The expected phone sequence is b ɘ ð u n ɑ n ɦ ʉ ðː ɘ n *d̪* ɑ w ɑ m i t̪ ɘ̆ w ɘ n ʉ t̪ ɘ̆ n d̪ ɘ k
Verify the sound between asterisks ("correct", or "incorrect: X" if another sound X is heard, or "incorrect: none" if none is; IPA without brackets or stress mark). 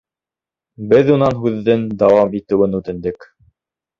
correct